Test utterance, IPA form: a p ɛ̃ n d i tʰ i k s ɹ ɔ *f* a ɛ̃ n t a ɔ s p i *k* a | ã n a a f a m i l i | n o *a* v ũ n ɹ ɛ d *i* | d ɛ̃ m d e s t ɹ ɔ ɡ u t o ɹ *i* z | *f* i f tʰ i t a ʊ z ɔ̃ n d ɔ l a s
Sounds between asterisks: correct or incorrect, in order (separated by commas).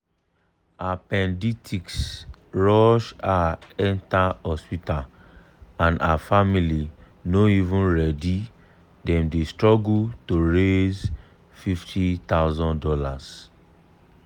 incorrect, incorrect, incorrect, correct, incorrect, correct